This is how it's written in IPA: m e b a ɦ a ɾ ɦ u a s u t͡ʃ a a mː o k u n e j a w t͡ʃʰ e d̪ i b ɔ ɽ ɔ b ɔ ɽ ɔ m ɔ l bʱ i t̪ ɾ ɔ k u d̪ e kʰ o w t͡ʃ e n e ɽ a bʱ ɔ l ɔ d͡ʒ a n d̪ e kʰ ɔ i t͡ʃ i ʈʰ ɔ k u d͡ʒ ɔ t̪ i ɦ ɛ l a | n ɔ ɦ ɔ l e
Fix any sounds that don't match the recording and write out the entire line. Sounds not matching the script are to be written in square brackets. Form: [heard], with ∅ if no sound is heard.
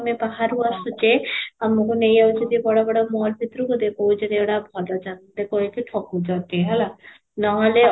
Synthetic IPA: m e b a ɦ a ɾ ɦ u a s u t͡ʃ [e] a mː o k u n e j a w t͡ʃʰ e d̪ i b ɔ ɽ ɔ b ɔ ɽ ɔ m ɔ l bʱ i t̪ ɾ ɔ k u d̪ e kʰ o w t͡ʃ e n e ɽ a bʱ ɔ l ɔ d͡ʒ a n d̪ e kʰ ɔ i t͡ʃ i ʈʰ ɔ k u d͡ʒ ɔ t̪ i ɦ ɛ l a | n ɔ ɦ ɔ l e